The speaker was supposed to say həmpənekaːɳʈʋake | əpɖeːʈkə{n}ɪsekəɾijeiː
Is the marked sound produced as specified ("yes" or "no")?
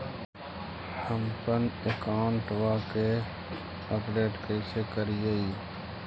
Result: no